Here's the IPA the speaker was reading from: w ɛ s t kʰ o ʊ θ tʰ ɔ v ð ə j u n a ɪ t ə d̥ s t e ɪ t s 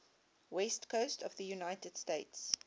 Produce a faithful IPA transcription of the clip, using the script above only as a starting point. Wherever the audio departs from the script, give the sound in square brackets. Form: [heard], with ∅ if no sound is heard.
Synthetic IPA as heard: w ɛ s t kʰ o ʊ [s] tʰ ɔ v ð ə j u n a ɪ t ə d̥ s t e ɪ t s

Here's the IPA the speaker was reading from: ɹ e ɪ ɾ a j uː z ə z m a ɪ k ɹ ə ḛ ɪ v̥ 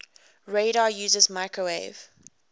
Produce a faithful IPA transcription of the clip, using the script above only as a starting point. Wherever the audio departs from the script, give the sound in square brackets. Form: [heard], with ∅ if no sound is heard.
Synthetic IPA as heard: ɹ e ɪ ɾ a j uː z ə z m a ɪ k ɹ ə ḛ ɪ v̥

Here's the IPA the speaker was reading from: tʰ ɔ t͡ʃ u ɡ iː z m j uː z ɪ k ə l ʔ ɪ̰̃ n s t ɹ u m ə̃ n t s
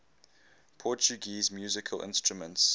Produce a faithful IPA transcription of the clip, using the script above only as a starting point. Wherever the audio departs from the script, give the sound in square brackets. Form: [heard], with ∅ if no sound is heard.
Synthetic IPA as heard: [pʰ] ɔ t͡ʃ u ɡ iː z m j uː z ɪ [kʰ] ə l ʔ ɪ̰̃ n s t ɹ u m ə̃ n t s

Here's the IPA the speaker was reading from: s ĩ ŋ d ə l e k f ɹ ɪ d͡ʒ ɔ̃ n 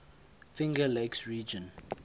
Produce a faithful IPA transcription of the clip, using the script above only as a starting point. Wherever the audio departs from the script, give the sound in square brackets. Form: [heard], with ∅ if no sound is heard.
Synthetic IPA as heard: [f] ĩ ŋ [ɡ] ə l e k [s] ɹ [i] d͡ʒ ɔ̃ n

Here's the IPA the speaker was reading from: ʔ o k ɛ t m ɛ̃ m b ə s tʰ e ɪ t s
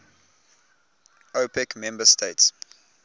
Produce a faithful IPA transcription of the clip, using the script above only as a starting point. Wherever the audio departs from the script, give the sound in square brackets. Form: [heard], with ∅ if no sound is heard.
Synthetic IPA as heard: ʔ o [p] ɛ [k] m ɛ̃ m b ə s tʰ e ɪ t s

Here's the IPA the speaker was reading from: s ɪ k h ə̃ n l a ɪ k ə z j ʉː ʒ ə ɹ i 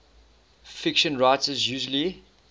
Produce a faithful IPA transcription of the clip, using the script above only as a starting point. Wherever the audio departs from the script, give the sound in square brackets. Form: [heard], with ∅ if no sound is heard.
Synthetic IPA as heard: [f] ɪ k [ʃ] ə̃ n [ɹ] a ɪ [t] ə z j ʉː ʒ ə [l] i

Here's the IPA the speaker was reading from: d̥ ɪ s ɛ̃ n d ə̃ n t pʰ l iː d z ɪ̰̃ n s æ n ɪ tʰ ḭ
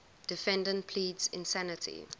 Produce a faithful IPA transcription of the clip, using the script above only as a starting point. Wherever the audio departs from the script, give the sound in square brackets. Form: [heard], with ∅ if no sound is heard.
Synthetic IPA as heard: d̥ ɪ [f] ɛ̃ n d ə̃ n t pʰ l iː d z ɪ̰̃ n s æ n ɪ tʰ ḭ

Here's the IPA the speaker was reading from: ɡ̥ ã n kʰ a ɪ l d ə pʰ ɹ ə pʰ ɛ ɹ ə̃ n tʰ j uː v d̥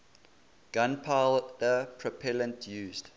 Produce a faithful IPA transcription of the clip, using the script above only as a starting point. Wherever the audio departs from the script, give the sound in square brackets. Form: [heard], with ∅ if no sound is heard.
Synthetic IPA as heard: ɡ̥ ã n [pʰ] a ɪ l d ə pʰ ɹ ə pʰ ɛ [l] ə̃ n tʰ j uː [z] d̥

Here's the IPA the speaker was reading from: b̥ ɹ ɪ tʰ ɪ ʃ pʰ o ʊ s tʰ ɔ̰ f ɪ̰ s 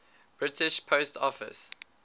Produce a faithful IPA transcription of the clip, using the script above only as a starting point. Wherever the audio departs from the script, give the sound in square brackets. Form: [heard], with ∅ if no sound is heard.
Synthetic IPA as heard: b̥ ɹ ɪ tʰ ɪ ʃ pʰ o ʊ s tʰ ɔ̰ f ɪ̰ s

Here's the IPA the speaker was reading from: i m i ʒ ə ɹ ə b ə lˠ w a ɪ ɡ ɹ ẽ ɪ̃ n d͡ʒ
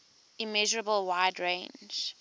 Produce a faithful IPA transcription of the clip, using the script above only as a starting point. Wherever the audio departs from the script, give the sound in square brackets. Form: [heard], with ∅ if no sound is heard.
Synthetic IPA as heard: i m [ɛ] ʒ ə ɹ ə b ə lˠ w a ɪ [d] ɹ ẽ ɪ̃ n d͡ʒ

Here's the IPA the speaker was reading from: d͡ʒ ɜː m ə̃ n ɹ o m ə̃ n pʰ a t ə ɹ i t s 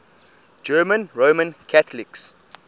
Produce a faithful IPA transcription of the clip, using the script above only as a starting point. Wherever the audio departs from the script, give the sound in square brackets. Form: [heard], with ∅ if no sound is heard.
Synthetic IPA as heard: d͡ʒ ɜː m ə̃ n ɹ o m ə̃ n [kʰ] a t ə [l] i [k] s

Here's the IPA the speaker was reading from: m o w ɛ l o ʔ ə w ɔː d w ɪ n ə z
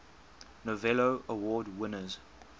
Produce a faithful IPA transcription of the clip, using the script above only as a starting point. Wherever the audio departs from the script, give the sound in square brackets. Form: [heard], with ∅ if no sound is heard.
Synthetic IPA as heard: [n] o [v] ɛ l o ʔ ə w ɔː d w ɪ n ə z

